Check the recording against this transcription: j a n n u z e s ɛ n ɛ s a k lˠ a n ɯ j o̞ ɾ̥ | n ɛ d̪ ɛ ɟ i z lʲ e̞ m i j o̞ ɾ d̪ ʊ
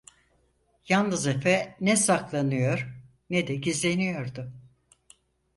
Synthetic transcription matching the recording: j a n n ɯ z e f ɛ n ɛ s a k lˠ a n ɯ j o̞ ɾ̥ | n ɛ d̪ ɛ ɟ i z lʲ e̞ n i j o̞ ɾ d̪ ʊ

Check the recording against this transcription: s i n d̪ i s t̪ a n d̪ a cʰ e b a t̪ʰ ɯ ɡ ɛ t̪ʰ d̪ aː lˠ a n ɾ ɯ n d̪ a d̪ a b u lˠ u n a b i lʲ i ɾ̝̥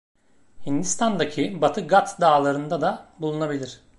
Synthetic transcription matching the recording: h i n d̪ i s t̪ a n d̪ a cʰ i b a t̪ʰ ɯ ɡ a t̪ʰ d̪ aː lˠ a ɾ ɯ n d̪ a d̪ a b u lˠ u n a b i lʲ i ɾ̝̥

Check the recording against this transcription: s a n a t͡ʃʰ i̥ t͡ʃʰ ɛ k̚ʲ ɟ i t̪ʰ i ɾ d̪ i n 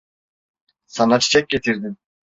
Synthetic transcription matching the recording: s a n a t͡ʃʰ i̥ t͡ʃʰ ɛ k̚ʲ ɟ e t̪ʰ i ɾ d̪ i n

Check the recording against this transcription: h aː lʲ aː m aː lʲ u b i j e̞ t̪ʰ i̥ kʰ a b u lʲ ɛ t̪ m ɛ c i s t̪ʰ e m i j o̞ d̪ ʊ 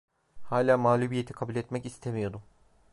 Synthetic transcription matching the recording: h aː lʲ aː m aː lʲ u b i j e̞ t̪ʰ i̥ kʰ a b u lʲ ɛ t̪ m ɛ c i s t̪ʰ e m i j o̞ d̪ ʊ

